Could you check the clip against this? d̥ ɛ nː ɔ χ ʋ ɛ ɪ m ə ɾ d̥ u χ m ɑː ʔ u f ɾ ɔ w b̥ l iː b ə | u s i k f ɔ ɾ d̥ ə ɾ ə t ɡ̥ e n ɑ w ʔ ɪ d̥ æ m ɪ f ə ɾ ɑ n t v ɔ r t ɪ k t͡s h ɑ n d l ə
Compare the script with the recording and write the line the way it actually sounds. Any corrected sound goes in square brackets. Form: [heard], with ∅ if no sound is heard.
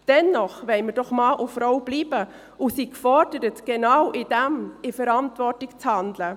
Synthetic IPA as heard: d̥ ɛ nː ɔ χ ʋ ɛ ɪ m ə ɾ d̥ [ɔ] χ m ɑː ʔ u f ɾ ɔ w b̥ l iː b ə | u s i k f ɔ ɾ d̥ ə ɾ ə t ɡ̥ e n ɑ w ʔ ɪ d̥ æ m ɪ f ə ɾ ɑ n t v ɔ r t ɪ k t͡s h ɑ n d l ə